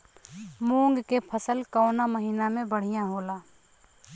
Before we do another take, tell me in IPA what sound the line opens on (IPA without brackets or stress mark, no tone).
m